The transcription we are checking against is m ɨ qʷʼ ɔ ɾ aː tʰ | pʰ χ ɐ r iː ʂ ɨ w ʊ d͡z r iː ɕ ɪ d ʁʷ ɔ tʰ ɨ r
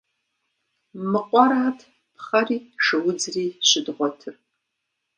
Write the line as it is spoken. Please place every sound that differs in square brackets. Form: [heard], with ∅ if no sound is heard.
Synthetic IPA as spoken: m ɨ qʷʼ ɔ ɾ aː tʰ | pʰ χ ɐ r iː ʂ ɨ w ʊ d͡z r iː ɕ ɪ d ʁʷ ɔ tʰ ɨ r